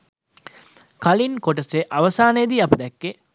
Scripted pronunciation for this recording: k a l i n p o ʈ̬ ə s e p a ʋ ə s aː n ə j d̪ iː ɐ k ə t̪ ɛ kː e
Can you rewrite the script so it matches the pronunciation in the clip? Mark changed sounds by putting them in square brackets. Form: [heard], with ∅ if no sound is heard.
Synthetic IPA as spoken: k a l i n [k] o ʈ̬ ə s e [ʔ] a ʋ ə s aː n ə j d̪ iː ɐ [p] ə [d̪] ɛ kː e